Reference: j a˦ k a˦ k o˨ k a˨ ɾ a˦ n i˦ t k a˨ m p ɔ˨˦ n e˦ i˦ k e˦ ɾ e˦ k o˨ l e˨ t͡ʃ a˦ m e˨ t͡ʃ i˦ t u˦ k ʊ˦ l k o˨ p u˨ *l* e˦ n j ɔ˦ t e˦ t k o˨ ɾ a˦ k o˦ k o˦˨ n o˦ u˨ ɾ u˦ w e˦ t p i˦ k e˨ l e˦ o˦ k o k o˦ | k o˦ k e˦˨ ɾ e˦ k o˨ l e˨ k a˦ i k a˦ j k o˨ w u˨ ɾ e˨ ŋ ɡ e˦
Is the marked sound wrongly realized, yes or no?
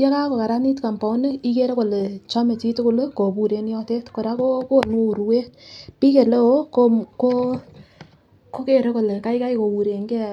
yes